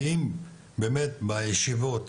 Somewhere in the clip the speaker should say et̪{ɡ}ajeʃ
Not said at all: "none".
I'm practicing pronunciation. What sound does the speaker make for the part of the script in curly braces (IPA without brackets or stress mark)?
b